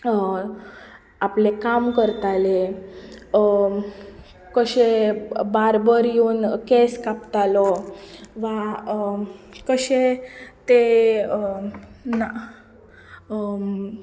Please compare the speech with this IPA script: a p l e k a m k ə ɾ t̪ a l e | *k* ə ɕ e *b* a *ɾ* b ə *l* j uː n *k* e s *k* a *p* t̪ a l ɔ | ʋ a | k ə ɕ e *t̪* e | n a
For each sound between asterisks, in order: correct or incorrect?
correct, correct, correct, incorrect: ɾ, correct, correct, correct, correct

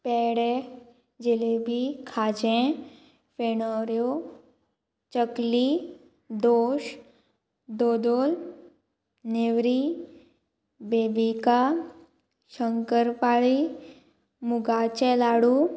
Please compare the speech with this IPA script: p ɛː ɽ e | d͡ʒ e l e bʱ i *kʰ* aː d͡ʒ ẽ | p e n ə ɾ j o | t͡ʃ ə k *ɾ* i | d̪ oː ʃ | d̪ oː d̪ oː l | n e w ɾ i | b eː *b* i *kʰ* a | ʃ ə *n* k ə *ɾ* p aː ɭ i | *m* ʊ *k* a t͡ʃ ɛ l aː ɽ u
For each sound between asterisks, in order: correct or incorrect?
correct, incorrect: l, correct, incorrect: k, incorrect: ŋ, correct, correct, incorrect: ɡ

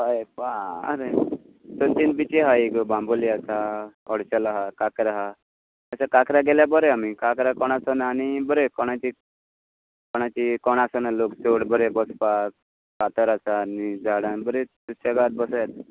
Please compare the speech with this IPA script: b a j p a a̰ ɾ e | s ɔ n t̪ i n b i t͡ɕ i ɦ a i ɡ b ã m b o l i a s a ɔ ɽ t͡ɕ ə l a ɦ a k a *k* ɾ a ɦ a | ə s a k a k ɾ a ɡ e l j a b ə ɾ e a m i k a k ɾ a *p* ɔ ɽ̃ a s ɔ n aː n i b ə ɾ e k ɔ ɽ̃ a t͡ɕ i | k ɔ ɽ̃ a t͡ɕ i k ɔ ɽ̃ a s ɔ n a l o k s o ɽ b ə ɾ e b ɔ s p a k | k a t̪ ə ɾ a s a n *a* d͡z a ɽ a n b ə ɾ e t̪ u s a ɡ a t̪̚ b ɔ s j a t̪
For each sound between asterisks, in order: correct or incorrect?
correct, incorrect: k, incorrect: i

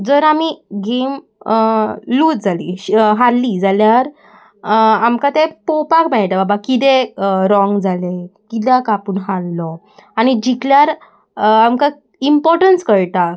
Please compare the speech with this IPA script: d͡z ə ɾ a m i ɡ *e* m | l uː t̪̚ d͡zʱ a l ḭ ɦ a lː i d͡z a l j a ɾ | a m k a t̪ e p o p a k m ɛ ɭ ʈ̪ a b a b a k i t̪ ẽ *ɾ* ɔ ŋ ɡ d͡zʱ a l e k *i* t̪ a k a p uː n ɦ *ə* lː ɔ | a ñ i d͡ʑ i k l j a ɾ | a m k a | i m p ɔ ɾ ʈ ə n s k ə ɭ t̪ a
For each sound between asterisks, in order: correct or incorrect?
correct, correct, correct, incorrect: a

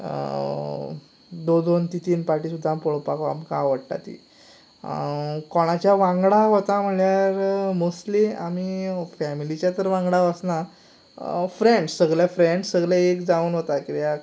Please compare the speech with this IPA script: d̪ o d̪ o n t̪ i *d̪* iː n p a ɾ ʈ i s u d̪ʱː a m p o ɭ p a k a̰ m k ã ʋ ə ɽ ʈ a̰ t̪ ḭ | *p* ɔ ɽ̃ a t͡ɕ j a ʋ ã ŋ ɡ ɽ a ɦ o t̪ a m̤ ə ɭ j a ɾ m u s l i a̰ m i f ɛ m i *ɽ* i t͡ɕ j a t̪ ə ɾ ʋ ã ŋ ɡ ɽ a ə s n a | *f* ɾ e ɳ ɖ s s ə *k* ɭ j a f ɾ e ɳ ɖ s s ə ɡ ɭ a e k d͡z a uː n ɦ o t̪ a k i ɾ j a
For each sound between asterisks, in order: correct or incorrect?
incorrect: t̪, incorrect: k, incorrect: l, correct, incorrect: ɡ

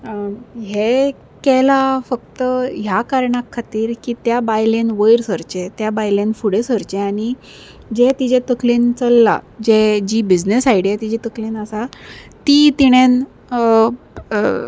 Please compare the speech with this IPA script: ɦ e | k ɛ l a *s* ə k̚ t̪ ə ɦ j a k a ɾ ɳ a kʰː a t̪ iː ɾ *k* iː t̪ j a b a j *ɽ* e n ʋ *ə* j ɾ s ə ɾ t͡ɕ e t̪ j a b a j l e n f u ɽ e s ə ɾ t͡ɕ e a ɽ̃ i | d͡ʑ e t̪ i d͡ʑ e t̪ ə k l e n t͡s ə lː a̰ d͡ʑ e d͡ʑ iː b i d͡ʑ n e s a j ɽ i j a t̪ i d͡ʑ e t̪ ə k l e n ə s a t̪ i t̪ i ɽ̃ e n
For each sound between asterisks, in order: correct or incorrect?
incorrect: f, correct, incorrect: l, correct

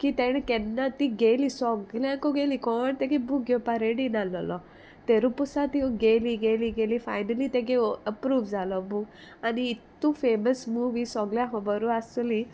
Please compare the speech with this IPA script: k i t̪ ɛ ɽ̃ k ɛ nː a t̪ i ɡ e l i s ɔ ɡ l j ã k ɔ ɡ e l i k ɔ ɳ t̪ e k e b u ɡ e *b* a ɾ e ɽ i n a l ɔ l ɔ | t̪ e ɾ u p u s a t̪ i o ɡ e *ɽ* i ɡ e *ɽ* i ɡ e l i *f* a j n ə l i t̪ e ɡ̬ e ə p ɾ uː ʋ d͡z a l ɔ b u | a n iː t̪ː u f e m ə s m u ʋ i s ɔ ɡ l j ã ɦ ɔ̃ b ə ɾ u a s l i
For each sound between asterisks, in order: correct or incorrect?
incorrect: p, incorrect: l, incorrect: l, correct

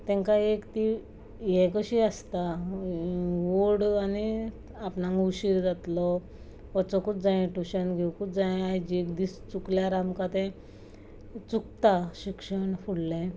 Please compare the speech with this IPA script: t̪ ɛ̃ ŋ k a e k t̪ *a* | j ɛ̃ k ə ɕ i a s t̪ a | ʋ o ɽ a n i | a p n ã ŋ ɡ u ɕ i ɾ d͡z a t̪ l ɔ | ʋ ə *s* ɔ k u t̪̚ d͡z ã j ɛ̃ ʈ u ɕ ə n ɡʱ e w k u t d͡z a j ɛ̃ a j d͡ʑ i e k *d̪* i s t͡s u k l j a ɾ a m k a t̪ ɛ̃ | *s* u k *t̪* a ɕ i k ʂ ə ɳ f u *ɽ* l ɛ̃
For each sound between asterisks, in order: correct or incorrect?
incorrect: i, incorrect: t͡s, correct, incorrect: t͡s, correct, correct

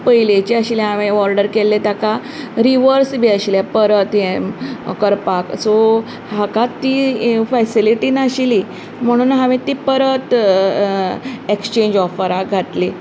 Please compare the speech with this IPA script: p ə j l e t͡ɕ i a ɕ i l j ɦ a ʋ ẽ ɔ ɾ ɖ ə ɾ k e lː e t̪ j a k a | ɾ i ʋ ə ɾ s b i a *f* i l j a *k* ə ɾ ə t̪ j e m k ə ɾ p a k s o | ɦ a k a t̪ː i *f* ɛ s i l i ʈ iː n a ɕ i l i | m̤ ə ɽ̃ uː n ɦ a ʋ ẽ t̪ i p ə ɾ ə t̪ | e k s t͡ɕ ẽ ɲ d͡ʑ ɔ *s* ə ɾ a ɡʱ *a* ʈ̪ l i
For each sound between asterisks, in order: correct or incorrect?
incorrect: ɕ, incorrect: p, correct, incorrect: f, correct

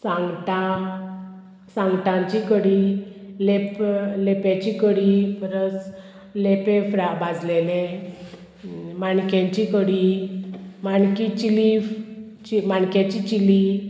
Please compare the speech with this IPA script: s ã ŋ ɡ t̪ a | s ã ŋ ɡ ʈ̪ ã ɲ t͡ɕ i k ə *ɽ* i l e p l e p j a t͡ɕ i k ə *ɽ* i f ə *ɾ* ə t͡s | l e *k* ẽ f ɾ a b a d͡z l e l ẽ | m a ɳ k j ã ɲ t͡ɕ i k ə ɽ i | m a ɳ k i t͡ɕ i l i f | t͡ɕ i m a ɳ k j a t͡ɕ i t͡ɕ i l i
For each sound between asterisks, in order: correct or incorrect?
correct, correct, correct, incorrect: p

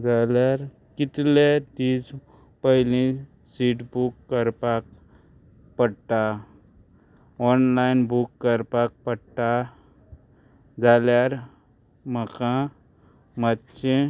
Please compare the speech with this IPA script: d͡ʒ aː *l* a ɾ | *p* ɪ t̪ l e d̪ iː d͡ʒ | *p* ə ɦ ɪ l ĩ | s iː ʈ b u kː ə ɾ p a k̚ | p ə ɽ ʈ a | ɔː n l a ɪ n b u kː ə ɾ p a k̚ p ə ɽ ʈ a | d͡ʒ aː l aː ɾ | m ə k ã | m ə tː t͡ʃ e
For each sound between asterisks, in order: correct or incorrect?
correct, incorrect: k, correct

